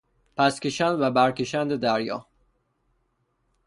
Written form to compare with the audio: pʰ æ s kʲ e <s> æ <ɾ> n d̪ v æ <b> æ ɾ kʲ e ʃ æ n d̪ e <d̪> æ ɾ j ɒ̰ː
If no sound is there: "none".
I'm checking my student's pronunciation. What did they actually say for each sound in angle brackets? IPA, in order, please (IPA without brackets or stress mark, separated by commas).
ʃ, none, b, d̪